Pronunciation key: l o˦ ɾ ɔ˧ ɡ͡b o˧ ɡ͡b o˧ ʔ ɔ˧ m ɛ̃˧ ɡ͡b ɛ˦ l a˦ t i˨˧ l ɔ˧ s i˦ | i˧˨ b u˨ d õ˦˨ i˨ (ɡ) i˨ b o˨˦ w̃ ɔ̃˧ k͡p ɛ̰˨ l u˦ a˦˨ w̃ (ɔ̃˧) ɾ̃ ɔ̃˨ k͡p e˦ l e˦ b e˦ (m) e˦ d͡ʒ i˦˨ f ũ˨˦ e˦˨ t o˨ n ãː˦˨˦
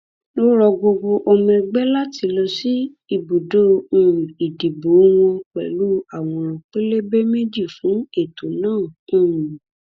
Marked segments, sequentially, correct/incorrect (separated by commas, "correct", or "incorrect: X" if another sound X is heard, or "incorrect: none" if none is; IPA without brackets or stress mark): incorrect: d, correct, correct